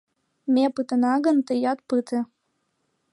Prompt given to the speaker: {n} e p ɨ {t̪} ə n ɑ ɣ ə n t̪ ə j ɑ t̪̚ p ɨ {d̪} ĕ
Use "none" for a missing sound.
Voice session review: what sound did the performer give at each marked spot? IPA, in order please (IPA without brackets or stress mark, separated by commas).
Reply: m, t̪, t̪